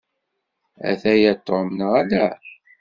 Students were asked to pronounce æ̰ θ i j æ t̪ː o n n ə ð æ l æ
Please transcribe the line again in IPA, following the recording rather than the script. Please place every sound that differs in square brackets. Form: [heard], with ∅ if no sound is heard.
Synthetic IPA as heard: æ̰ θ [æ] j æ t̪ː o [m] n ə [ʁ] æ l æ